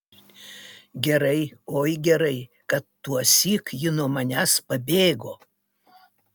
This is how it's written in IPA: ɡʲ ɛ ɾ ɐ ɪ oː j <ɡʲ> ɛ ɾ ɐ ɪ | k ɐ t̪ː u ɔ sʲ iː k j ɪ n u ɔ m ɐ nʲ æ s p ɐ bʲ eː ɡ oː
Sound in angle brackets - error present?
no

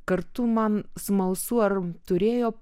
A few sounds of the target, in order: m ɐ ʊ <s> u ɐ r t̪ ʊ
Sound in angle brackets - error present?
no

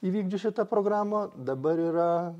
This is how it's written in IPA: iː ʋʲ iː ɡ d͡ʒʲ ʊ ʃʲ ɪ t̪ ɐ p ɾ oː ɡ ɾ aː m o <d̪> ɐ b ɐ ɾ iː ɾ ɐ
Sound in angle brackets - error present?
no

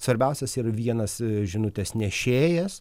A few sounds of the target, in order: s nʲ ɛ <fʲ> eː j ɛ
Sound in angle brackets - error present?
yes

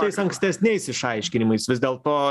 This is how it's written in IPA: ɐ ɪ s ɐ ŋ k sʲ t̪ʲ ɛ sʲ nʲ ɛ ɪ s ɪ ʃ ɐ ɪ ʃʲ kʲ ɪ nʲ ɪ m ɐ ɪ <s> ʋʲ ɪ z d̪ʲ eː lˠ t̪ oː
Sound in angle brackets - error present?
no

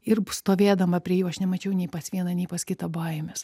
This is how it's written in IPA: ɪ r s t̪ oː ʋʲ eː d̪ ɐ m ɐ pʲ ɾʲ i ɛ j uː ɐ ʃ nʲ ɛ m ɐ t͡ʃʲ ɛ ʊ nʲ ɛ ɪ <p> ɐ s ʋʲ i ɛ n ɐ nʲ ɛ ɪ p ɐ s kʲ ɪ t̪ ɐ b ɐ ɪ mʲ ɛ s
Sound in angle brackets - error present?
no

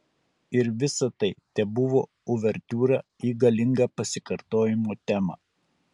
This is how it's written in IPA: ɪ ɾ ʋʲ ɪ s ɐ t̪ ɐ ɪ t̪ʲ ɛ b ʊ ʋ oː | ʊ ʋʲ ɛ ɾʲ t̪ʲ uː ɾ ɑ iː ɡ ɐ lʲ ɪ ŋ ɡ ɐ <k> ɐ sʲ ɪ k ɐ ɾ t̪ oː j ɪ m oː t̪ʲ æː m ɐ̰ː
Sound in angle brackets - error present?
yes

